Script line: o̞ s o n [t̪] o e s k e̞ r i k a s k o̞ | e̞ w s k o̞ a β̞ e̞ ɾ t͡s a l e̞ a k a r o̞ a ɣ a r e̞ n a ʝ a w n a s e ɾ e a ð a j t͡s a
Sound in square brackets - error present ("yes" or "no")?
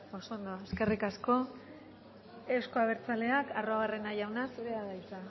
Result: yes